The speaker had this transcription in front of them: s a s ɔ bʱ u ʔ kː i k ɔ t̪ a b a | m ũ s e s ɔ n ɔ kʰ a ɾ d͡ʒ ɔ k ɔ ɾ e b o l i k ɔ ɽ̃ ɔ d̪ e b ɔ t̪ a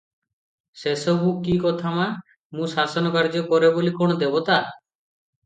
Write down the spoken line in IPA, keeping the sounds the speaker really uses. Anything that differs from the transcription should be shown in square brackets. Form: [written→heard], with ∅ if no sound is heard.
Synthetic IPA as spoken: s [a→e] s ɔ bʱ u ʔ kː i k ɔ [t̪→t̪ʰ] a [b→m] a | m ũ s [e→a] s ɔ n ɔ [kʰ→k] a ɾ d͡ʒ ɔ k ɔ ɾ e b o l i k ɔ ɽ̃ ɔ d̪ e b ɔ t̪ a